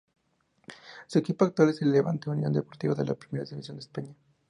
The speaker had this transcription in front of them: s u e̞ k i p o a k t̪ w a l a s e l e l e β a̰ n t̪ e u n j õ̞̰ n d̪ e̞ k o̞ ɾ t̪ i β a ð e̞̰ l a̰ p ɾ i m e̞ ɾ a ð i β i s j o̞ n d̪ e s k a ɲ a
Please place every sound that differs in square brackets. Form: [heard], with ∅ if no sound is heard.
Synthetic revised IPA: s u e̞ k i p o a k t̪ w a l [e] s e l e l e β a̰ n t̪ e u n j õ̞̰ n d̪ e̞ [p] o̞ ɾ t̪ i β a ð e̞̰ l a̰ p ɾ i m e̞ ɾ a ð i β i s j o̞ n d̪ e s [p] a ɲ a